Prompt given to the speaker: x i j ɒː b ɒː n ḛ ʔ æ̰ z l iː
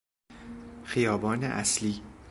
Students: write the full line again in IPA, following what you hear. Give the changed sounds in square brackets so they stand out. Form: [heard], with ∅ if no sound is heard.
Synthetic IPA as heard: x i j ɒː b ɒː n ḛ ʔ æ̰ [s] l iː